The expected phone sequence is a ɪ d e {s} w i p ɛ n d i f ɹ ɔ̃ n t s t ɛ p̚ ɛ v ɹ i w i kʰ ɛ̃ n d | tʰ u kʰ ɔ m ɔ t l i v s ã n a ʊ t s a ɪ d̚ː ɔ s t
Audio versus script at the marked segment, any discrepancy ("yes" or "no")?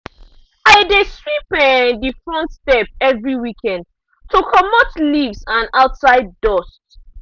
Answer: no